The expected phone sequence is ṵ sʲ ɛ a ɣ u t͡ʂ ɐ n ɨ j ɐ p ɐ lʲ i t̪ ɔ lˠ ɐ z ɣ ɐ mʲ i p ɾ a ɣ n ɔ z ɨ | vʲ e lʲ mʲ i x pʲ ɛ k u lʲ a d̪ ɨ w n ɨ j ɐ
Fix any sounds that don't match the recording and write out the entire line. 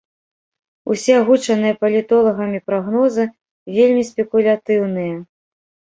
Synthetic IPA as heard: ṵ sʲ ɛ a ɣ u t͡ʂ ɐ n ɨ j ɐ p ɐ lʲ i t̪ ɔ lˠ ɐ ɣ ɐ mʲ i p ɾ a ɣ n ɔ z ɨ | vʲ e lʲ mʲ i s pʲ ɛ k u lʲ a t̪ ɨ w n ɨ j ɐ